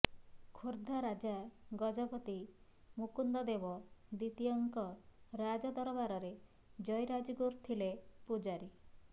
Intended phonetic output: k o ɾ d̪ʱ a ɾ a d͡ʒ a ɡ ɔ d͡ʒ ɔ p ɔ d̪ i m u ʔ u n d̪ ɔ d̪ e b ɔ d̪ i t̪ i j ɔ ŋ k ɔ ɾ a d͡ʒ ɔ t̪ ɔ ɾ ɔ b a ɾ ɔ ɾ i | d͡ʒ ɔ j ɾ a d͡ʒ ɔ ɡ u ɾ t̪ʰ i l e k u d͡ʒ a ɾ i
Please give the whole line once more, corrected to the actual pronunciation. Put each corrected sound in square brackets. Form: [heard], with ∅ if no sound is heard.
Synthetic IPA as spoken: [kʰ] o ɾ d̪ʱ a ɾ a d͡ʒ a ɡ ɔ d͡ʒ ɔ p ɔ [t̪] i m u [k] u n d̪ ɔ d̪ e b ɔ d̪ i t̪ i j ɔ ŋ k ɔ ɾ a d͡ʒ ɔ [d̪] ɔ ɾ ɔ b a ɾ ɔ ɾ [e] | d͡ʒ ɔ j ɾ a d͡ʒ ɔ ɡ u ɾ t̪ʰ i l e [p] u d͡ʒ a ɾ i

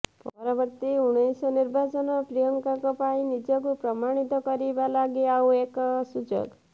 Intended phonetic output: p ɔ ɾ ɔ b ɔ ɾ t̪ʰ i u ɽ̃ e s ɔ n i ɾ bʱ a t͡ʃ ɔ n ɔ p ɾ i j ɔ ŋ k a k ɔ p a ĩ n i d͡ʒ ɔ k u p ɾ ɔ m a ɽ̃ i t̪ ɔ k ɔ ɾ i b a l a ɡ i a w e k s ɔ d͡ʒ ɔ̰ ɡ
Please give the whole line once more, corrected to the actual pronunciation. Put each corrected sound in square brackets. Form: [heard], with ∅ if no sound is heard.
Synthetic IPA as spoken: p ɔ ɾ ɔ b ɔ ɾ [t̪] i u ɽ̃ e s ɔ n i ɾ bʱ a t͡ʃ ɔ n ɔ p ɾ i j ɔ ŋ k a k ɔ p a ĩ n i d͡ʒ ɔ k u p ɾ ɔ m a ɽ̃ i t̪ ɔ k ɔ ɾ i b a l a ɡ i a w e k s [u] d͡ʒ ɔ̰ ɡ

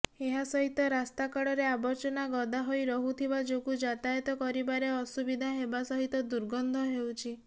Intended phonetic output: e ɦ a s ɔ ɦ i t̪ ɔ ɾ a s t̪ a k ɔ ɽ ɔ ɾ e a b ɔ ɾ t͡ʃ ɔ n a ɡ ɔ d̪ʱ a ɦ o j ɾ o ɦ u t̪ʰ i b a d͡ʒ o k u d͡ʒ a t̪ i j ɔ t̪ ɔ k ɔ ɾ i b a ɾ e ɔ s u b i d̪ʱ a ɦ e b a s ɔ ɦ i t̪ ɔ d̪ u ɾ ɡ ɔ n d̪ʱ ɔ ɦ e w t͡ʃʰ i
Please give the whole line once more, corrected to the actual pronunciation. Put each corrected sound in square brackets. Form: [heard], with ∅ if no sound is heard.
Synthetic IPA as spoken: e ɦ a s ɔ ɦ i t̪ ɔ ɾ a s t̪ a k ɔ ɽ ɔ ɾ e a b ɔ ɾ t͡ʃ ɔ n a ɡ ɔ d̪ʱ a ɦ o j ɾ [ɔ] ɦ u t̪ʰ i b a d͡ʒ o k u d͡ʒ a t̪ [a] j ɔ t̪ ɔ k ɔ ɾ i b a ɾ e ɔ s u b i d̪ʱ a ɦ e b a s ɔ ɦ i t̪ ɔ d̪ u ɾ ɡ ɔ n d̪ʱ ɔ ɦ e w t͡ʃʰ i

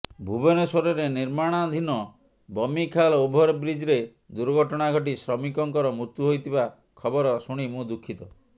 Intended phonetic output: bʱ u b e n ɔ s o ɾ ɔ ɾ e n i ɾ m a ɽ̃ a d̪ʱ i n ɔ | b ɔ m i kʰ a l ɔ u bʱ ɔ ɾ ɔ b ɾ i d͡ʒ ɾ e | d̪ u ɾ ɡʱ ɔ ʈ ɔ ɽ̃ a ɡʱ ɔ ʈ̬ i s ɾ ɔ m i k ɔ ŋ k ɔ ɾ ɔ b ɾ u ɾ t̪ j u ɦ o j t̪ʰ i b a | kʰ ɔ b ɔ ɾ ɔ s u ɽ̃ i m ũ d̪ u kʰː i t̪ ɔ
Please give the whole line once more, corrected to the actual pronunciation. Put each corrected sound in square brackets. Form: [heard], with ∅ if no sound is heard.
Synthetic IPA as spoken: bʱ u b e n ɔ s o ɾ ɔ ɾ e n i ɾ m a ɽ̃ a d̪ʱ i n ɔ | b ɔ m i kʰ a l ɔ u bʱ ɔ ɾ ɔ b ɾ i d͡ʒ ɾ e | d̪ u ɾ ɡʱ ɔ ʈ ɔ ɽ̃ a ɡʱ ɔ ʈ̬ i s ɾ ɔ m i k ɔ ŋ k ɔ ɾ ɔ [m] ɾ u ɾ t̪ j u ɦ o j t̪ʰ i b a | kʰ ɔ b ɔ ɾ ɔ s u ɽ̃ i m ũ d̪ u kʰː i t̪ ɔ

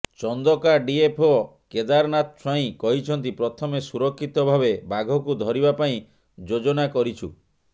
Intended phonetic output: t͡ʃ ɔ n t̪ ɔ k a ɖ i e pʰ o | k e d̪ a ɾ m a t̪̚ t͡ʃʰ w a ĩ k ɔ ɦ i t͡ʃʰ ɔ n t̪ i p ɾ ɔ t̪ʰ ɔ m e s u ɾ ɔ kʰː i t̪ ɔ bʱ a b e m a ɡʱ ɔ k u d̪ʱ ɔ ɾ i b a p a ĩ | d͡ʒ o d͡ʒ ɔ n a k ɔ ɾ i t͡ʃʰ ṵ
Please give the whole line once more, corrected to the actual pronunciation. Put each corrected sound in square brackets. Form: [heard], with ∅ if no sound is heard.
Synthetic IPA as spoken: t͡ʃ ɔ n [d̪] ɔ k a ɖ i e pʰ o | k e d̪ a ɾ [n] a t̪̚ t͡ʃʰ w a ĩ k ɔ ɦ i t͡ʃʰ ɔ n t̪ i p ɾ ɔ t̪ʰ ɔ m e s u ɾ ɔ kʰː i t̪ ɔ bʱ a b e [b] a ɡʱ ɔ k u d̪ʱ ɔ ɾ i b a p a ĩ | d͡ʒ o d͡ʒ ɔ n a k ɔ ɾ i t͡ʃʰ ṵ

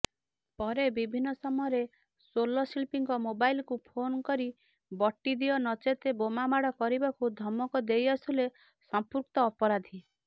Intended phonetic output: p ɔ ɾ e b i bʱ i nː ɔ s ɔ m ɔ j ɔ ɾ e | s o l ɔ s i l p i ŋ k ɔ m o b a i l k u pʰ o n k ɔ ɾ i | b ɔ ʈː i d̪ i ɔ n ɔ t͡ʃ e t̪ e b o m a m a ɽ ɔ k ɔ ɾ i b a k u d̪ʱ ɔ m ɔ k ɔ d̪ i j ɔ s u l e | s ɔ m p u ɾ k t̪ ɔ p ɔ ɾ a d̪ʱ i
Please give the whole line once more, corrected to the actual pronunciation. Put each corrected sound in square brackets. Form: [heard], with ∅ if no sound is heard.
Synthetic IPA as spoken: p ɔ ɾ e b i bʱ i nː ɔ s ɔ m ɔ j ɔ ɾ e | s o l ɔ s i l p i ŋ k ɔ m o b a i l k u pʰ o n k ɔ ɾ i | b ɔ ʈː i d̪ i ɔ n ɔ t͡ʃ e t̪ e b o m a m a ɽ ɔ k ɔ ɾ i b a k u d̪ʱ ɔ m ɔ k ɔ d̪ [e] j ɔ s u l e | s ɔ m p u ɾ k t̪ [ɔː] p ɔ ɾ a d̪ʱ i

